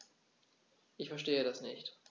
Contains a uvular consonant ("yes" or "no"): no